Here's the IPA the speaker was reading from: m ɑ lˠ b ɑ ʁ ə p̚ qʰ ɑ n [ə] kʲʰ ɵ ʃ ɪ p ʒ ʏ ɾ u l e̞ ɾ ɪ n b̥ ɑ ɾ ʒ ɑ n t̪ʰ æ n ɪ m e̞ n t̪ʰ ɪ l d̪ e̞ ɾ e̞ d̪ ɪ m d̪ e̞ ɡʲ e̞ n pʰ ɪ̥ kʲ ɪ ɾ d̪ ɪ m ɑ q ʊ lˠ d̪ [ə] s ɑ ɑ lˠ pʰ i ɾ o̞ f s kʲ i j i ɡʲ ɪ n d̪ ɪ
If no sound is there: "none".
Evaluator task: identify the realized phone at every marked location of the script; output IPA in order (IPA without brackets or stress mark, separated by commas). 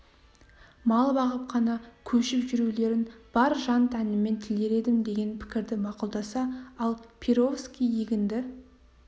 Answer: ɑ, ɑ